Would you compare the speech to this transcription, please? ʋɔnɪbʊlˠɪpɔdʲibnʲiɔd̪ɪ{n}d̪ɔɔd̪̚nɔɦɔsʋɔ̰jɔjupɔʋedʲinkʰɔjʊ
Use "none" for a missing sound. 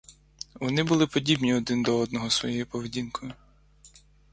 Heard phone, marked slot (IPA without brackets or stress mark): n